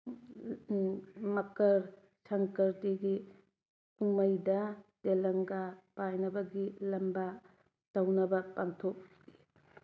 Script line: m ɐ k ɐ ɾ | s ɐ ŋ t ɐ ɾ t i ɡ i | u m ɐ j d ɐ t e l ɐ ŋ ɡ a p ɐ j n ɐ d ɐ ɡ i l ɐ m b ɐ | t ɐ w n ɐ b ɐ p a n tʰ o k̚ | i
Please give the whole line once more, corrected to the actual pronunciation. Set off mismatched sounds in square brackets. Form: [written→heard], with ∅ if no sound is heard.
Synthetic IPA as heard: m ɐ k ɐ ɾ | s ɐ ŋ [t→k] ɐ ɾ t i ɡ i | u m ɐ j d ɐ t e l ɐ ŋ ɡ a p [ɐ→a] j n ɐ [d→b] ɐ ɡ i l ɐ m b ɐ | t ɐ w n ɐ b ɐ p a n tʰ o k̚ | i